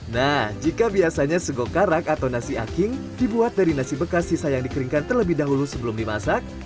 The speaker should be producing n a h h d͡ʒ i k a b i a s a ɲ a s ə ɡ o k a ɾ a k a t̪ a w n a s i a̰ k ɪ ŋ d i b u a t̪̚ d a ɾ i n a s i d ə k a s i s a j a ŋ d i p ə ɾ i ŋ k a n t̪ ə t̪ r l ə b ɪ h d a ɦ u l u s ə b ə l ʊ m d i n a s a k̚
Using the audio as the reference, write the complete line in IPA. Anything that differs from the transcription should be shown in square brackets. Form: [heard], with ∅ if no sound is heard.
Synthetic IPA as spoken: n a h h d͡ʒ i k a b i a s a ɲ a s ə ɡ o k a ɾ a k a t̪ a w n a s i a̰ k ɪ ŋ d i b u a t̪̚ d a ɾ i n a s i [b] ə k a s i s a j a ŋ d i [k] ə ɾ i ŋ k a n t̪ ə [∅] r l ə b ɪ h d a ɦ u l u s ə b ə l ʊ m d i [m] a s a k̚